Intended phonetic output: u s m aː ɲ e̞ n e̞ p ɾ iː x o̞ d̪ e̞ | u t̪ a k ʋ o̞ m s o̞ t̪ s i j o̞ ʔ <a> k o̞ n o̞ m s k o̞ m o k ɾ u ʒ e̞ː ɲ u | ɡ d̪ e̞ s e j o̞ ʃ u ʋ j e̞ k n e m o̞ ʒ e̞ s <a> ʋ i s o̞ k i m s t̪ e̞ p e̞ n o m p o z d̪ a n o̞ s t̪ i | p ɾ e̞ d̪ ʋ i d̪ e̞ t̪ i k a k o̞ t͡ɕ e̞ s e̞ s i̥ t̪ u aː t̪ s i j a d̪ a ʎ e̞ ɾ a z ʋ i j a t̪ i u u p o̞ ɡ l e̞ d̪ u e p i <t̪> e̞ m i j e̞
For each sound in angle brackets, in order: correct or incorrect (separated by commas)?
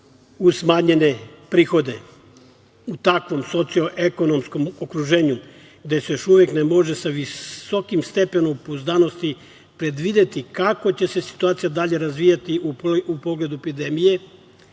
incorrect, correct, incorrect